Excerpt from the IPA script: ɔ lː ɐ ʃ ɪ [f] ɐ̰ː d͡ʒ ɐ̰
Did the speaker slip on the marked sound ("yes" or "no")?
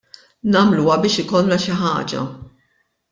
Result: yes